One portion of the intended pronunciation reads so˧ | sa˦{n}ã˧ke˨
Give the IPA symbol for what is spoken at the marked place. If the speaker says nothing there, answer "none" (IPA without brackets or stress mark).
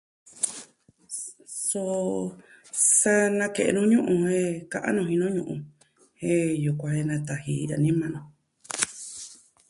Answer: n